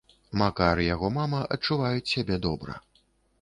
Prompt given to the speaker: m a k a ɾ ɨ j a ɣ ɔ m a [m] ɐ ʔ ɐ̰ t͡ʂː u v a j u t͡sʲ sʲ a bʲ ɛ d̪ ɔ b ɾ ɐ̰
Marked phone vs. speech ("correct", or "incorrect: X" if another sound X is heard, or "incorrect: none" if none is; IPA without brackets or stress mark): correct